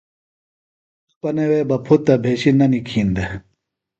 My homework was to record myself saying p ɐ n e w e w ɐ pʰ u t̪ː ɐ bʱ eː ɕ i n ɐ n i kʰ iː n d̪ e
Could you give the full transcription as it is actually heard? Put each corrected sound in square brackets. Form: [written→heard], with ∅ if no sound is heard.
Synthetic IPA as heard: p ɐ n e w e [w→b] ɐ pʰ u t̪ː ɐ bʱ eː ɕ i n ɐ n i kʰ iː n d̪ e